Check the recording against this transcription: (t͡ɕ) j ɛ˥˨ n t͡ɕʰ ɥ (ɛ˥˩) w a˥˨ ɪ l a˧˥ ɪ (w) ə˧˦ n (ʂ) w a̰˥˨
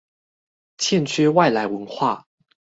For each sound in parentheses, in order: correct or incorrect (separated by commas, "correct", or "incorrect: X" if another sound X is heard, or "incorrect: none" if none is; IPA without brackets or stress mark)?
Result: incorrect: t͡ɕʰ, incorrect: ɛ˥, correct, incorrect: x